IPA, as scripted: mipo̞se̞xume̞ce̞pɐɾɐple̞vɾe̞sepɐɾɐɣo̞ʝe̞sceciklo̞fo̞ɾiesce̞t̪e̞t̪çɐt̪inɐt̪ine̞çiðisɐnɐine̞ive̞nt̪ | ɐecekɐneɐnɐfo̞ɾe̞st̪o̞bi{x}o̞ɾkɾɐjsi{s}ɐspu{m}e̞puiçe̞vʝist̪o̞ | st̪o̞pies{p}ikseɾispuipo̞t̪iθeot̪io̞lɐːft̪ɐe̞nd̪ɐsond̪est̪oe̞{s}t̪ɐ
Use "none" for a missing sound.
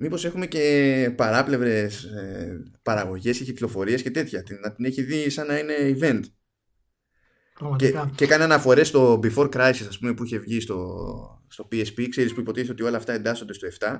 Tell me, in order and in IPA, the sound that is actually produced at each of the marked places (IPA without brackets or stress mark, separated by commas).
f, s, m, p, f